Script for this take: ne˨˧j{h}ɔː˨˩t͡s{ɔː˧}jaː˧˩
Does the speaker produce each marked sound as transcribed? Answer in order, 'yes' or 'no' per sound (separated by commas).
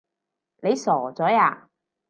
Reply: no, no